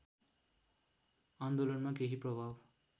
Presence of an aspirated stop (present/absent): absent